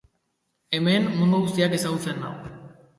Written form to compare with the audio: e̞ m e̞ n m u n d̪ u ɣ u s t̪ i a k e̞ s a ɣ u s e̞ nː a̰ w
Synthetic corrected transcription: e̞ m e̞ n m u n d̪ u ɣ u s t̪ i a k e̞ s a ɣ u t͡s e̞ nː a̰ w